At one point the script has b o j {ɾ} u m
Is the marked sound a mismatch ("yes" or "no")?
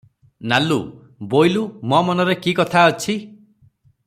yes